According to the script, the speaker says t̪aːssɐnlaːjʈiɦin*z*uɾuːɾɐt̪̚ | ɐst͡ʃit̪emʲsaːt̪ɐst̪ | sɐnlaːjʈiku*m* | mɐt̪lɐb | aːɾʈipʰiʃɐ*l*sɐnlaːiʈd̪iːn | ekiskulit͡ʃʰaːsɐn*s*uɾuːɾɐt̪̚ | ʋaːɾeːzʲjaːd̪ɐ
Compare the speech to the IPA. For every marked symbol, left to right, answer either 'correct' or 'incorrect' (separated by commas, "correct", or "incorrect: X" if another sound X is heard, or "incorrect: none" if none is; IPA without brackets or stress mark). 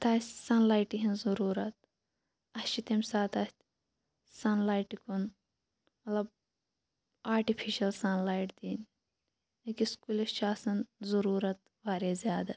correct, incorrect: n, correct, incorrect: z